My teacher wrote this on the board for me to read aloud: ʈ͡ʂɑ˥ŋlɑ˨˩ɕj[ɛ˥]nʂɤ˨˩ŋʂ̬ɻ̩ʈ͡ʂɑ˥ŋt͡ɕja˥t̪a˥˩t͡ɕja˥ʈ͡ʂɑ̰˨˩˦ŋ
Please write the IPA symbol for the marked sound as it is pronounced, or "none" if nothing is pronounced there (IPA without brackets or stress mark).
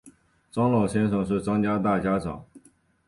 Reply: ɛ˥